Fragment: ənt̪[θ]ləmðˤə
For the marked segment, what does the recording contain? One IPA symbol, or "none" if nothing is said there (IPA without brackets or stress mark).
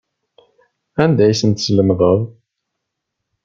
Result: s